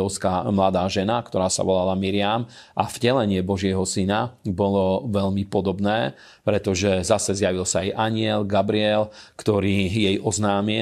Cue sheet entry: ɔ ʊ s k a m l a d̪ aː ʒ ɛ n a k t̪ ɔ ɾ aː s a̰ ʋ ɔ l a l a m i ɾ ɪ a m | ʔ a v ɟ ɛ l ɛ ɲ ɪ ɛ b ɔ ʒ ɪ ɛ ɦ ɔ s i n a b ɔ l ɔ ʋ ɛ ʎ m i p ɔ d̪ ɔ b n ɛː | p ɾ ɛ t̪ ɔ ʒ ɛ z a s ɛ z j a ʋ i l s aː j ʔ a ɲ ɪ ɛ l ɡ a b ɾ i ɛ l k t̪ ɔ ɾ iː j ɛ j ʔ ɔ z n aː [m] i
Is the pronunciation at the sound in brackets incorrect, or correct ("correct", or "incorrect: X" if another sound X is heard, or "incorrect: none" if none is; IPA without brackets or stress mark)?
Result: correct